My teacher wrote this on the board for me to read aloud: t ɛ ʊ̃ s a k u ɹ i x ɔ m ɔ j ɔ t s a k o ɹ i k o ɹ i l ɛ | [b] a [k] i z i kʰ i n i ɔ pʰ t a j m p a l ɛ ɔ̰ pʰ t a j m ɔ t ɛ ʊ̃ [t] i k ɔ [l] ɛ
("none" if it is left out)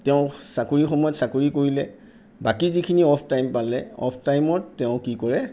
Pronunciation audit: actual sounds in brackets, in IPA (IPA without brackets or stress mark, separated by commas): b, k, k, ɹ